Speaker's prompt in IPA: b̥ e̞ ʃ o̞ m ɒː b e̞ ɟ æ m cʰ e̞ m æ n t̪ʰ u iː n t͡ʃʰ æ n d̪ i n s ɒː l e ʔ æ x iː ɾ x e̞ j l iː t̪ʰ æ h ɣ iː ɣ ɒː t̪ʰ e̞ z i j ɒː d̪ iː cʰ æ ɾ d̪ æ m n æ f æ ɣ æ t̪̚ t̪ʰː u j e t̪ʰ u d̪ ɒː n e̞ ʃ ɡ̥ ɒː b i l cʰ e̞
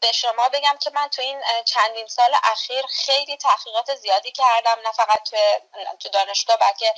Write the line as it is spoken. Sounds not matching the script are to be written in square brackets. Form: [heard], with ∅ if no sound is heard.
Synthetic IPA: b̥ e̞ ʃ o̞ m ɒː b e̞ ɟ æ m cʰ e̞ m æ n t̪ʰ u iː n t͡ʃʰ æ n d̪ i n s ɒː l e ʔ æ x iː ɾ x e̞ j l iː t̪ʰ æ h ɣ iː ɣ ɒː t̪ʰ e̞ z i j ɒː d̪ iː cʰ æ ɾ d̪ æ m n æ f æ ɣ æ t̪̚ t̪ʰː u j e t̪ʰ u d̪ ɒː n e̞ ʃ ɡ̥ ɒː b [æ] l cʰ e̞